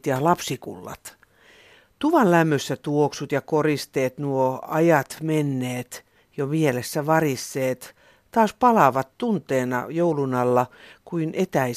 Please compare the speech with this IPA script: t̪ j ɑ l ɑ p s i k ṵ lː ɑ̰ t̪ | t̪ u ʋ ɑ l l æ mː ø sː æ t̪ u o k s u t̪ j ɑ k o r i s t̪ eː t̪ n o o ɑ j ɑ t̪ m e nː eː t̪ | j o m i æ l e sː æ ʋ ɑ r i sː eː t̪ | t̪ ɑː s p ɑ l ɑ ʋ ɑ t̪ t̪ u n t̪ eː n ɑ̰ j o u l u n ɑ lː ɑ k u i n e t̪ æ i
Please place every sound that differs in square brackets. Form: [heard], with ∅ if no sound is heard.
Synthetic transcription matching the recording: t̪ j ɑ l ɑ p s i k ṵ lː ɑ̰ t̪ | t̪ u ʋ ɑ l l æ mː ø sː æ t̪ u o k s u t̪ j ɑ k o r i s t̪ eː t̪ n [u] o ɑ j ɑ t̪ m e nː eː t̪ | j o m i [e] l e sː æ ʋ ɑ r i sː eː t̪ | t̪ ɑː s p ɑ l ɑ ʋ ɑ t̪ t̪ u n t̪ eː n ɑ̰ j o u l u n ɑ lː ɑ k u i n e t̪ æ i